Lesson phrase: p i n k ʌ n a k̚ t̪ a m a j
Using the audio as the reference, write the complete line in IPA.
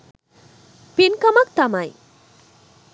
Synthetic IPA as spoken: p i n k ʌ m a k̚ t̪ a m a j